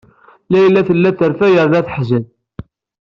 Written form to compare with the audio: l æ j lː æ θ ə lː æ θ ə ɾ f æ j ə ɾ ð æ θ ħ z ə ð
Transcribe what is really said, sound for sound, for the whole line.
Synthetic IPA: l æ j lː æ θ ə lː æ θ ə ɾ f æ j ə ɾ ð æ θ ħ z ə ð